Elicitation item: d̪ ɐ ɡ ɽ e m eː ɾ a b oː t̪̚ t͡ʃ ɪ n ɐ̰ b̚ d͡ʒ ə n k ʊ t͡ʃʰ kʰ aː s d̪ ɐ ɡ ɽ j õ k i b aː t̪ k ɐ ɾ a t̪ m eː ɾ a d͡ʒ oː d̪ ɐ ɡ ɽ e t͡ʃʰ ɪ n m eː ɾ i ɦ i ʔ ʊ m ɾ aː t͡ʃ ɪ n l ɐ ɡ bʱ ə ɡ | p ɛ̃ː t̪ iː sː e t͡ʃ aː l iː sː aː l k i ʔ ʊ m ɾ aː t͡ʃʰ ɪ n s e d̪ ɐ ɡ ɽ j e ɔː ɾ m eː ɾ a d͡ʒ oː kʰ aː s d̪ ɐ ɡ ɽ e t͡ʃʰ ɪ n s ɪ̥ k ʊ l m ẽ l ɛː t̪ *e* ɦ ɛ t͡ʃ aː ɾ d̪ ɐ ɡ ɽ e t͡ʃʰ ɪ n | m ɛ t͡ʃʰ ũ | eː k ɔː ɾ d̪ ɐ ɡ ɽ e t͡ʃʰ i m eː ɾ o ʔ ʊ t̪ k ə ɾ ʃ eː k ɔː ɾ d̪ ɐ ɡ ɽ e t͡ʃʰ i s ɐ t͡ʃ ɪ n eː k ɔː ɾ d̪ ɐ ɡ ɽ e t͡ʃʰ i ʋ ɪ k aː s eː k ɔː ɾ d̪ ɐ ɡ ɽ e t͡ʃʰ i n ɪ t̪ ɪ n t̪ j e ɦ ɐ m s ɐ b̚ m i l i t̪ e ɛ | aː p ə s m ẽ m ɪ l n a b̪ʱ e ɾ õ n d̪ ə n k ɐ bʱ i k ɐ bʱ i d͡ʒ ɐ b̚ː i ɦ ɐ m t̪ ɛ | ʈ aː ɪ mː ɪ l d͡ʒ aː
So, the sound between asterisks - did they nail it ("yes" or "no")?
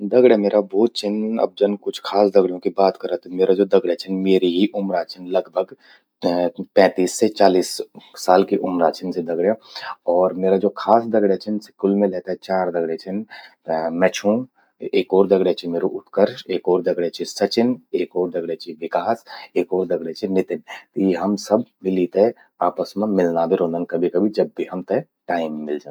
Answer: no